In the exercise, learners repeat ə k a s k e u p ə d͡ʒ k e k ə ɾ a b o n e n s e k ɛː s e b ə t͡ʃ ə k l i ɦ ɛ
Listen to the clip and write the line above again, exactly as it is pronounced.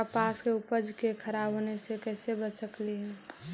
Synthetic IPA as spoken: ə p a s k e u p ə d͡ʒ k e kʰ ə ɾ a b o n e s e k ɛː s e b ə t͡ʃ ə k l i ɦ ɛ